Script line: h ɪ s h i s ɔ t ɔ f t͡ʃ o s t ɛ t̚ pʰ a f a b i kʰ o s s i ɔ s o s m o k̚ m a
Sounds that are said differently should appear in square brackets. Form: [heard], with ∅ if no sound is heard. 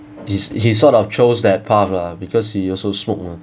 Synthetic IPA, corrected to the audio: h [i] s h i s ɔ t ɔ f t͡ʃ o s [d] ɛ t̚ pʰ a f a b i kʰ [ɔ] s [h] i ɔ s o s m o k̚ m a